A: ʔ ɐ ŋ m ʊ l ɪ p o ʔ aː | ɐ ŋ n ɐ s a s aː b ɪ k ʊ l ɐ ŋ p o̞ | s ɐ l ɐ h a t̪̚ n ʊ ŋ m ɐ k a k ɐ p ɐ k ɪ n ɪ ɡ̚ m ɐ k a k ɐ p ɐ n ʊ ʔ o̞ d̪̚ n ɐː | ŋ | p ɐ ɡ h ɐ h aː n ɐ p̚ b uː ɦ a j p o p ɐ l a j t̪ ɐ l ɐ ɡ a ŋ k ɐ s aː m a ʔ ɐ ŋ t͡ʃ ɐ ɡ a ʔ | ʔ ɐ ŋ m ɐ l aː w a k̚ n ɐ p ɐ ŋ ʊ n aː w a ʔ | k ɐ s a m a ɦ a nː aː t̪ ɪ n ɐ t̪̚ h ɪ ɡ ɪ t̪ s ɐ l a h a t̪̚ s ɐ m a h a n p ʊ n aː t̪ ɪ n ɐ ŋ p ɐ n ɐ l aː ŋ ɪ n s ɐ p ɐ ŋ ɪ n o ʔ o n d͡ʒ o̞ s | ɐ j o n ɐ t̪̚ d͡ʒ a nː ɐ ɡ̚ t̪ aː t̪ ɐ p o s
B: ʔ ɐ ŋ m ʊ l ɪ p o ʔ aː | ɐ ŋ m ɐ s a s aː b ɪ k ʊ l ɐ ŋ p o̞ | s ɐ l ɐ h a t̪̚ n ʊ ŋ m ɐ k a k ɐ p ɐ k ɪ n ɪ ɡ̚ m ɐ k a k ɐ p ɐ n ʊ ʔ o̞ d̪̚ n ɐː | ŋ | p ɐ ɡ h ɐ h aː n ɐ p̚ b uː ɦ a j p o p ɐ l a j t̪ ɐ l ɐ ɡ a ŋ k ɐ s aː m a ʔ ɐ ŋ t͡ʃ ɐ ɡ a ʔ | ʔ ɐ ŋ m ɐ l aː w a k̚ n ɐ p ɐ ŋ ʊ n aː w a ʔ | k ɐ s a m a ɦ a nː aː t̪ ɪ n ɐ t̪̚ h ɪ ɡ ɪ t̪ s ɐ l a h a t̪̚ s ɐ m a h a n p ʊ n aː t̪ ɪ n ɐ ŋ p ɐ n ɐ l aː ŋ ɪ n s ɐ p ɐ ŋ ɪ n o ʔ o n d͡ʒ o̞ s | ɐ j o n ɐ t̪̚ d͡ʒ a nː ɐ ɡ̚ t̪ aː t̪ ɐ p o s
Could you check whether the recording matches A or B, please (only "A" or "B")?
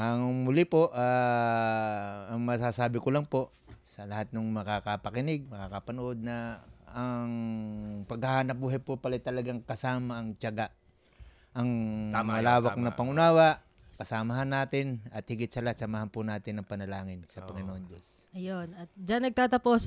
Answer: B